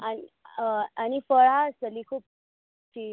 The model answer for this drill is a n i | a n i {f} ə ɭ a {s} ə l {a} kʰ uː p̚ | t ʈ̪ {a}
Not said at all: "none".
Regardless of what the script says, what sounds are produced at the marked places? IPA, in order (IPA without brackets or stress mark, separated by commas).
f, s, i, i